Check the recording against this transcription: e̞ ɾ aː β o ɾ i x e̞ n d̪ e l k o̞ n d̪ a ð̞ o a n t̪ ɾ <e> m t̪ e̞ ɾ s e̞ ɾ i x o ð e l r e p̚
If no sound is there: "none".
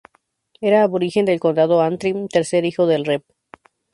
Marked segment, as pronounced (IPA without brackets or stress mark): i